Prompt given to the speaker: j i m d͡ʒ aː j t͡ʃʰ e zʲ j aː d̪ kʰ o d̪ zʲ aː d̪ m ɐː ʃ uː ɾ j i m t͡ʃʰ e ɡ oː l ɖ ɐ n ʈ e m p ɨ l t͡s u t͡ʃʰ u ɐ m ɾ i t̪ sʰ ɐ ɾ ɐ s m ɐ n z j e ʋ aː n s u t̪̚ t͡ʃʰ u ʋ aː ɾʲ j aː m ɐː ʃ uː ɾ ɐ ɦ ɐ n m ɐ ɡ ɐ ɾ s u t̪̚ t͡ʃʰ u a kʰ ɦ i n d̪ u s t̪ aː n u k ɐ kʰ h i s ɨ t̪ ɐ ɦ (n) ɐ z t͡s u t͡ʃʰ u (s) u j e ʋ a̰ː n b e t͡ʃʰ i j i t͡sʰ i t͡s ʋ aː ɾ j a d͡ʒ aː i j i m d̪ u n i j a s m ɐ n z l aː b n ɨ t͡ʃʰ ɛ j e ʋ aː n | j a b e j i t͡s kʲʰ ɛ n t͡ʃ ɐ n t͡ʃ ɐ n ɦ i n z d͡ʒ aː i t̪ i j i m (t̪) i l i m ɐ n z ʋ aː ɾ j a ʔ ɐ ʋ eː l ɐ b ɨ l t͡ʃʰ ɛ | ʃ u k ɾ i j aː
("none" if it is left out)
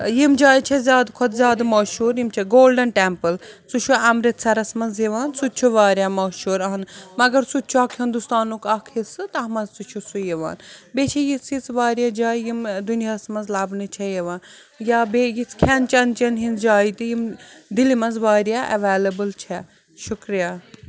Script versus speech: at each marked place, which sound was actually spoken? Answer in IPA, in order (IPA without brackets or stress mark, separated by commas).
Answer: m, s, d̪